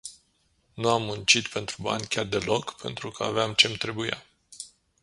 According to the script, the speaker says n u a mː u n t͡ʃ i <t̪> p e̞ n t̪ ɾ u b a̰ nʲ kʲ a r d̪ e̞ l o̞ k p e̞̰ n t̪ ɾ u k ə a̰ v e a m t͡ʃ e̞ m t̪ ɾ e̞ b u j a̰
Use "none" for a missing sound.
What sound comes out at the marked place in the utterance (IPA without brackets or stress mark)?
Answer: t̪